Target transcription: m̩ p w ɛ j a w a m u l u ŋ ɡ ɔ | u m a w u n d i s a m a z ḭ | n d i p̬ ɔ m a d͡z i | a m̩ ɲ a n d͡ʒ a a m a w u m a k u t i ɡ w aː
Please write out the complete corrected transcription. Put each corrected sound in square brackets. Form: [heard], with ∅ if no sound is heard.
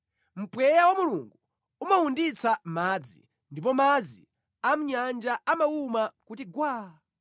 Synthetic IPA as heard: m̩ p w ɛ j a w a m u l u ŋ ɡ [u] | u m a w u n d i [t͡s] a m a [d͡z] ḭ | n d i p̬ ɔ m a d͡z i | a m̩ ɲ a n d͡ʒ a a m a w u m a k u t i ɡ w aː